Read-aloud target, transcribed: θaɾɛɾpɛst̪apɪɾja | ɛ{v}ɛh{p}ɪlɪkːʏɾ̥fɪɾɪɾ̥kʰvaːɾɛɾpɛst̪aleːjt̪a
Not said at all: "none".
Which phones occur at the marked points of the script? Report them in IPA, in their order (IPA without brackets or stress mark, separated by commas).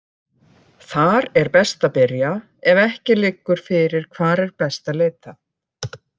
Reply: v, c